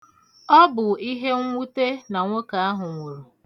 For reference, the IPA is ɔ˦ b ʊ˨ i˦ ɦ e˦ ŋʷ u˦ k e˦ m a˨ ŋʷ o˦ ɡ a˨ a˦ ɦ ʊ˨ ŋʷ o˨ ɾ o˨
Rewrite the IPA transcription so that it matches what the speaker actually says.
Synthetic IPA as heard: ɔ˦ b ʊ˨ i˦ ɦ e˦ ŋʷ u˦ t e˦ n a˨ ŋʷ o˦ k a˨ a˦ ɦ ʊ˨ ŋʷ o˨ ɾ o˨